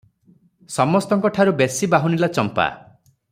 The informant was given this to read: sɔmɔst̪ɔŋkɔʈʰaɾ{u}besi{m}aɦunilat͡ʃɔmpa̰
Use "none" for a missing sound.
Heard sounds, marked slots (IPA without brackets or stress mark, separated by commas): u, b